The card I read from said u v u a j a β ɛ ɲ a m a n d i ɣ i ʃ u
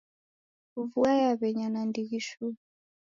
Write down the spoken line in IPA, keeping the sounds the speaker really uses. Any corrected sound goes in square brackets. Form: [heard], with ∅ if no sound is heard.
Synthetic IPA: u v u a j a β ɛ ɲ a [n] a n d i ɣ i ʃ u